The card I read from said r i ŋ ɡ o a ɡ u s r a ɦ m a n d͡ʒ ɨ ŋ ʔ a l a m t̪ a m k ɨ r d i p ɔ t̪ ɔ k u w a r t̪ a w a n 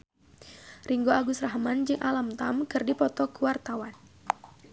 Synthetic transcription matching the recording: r i ŋ ɡ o a ɡ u s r a ɦ m a n d͡ʒ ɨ ŋ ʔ a l a m t̪ a m k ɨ r d i p ɔ t̪ ɔ k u w a r t̪ a w a n

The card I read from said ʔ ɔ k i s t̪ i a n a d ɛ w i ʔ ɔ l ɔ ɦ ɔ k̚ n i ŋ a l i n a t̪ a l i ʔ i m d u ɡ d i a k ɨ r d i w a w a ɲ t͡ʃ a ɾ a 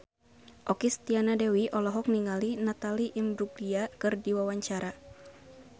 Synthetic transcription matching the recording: ʔ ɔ k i s t̪ i a n a d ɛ w i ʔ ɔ l ɔ ɦ ɔ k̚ n i ŋ a l i n a t̪ a l i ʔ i m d u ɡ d i a k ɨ r d i w a w a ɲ t͡ʃ a ɾ a

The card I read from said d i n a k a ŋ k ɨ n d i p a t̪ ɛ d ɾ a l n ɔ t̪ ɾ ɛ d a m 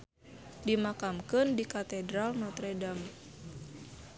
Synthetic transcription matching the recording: d i m a k a m k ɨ n d i k a t̪ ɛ d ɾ a l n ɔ t̪ ɾ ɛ d a m

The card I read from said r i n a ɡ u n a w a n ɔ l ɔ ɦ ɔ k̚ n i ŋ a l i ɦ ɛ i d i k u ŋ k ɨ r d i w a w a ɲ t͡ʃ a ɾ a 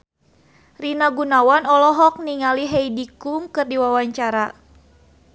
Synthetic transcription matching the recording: r i n a ɡ u n a w a n ɔ l ɔ ɦ ɔ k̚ n i ŋ a l i ɦ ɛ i d i k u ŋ k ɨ r d i w a w a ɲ t͡ʃ a ɾ a

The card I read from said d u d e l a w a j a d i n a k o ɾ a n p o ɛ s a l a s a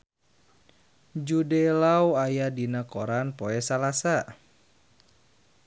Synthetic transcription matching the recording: d͡ʒ u d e l a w a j a d i n a k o ɾ a n p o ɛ s a l a s a

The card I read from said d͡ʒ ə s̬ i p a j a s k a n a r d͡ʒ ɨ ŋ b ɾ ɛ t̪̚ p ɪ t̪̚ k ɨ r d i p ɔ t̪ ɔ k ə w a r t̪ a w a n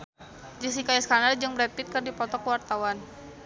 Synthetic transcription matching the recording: d͡ʒ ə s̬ i k a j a s k a n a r d͡ʒ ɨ ŋ b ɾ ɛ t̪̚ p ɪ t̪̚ k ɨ r d i p ɔ t̪ ɔ k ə w a r t̪ a w a n

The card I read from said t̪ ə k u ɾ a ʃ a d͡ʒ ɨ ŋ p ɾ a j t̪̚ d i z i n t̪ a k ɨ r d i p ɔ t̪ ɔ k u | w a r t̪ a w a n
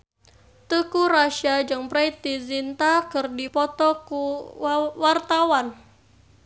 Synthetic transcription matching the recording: t̪ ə k u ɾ a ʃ a d͡ʒ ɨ ŋ p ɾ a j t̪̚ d i z i n t̪ a k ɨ r d i p ɔ t̪ ɔ k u | w a r t̪ a w a n

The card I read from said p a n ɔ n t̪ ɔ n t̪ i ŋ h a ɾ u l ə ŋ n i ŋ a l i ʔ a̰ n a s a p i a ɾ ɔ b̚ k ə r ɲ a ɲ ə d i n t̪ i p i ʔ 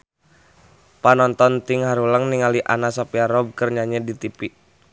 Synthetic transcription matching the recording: p a n ɔ n t̪ ɔ n t̪ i ŋ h a ɾ u l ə ŋ n i ŋ a l i ʔ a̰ n a s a p i a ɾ ɔ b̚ k ə r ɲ a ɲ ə d i t̪ i p i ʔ

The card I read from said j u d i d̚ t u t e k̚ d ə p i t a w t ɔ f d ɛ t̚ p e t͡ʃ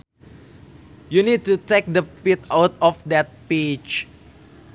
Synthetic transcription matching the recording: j u n i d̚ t u t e k̚ d ə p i t a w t ɔ f d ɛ t̚ p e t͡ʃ

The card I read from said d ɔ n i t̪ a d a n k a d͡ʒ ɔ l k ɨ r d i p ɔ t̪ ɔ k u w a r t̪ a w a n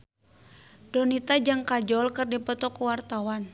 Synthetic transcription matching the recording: d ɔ n i t̪ a d͡ʒ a ŋ k a d͡ʒ ɔ l k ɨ r d i p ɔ t̪ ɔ k u w a r t̪ a w a n

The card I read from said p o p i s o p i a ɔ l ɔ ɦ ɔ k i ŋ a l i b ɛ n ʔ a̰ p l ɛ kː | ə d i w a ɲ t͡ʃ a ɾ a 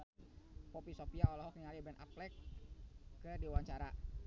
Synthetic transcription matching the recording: p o p i s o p i a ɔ l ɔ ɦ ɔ k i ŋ a l i b ɛ n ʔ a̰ p l ɛ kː | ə d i w a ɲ t͡ʃ a ɾ a

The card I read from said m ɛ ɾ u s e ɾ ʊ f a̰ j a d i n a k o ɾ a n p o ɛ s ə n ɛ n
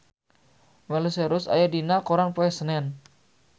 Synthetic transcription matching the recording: m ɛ l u s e ɾ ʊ s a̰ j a d i n a k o ɾ a n p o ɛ s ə n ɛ n

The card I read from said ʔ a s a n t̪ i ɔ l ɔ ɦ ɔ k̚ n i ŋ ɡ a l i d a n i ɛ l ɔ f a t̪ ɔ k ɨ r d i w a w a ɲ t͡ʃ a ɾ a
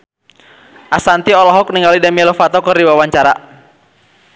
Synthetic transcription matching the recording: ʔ a s a n t̪ i ɔ l ɔ ɦ ɔ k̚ n i ŋ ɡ a l i d a m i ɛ l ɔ f a t̪ ɔ k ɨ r d i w a w a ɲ t͡ʃ a ɾ a

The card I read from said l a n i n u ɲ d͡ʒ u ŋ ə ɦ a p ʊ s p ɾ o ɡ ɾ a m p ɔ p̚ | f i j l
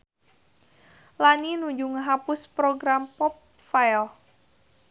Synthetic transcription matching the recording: l a n i n u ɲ d͡ʒ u ŋ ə ɦ a p ʊ s p ɾ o ɡ ɾ a m p ɔ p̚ | f a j l

